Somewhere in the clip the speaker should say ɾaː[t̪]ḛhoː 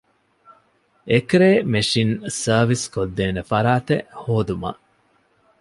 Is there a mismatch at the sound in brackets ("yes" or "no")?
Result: no